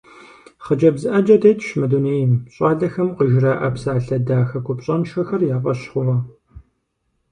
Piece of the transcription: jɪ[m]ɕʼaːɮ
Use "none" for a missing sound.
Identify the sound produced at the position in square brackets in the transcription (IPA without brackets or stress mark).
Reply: m